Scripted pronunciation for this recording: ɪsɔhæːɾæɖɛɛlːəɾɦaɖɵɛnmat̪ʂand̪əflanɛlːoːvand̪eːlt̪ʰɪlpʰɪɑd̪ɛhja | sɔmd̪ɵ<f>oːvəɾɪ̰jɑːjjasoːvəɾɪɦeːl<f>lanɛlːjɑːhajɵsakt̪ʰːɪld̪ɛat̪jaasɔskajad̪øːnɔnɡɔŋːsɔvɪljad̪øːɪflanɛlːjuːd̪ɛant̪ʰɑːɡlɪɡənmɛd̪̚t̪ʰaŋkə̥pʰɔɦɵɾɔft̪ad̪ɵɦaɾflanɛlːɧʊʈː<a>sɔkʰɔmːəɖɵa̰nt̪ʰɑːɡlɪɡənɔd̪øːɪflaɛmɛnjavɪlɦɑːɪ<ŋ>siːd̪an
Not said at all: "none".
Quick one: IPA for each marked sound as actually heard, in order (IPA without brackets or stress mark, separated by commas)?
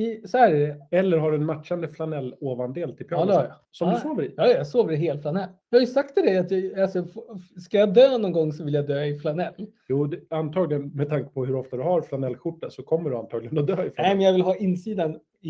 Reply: s, f, a, n